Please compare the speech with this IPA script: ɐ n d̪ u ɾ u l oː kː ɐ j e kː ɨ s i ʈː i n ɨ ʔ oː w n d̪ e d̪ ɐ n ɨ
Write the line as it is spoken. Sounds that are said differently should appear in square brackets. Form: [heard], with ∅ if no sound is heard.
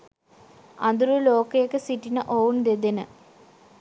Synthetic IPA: ɐ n d̪ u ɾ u l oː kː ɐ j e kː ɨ s i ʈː i n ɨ ʔ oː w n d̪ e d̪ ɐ n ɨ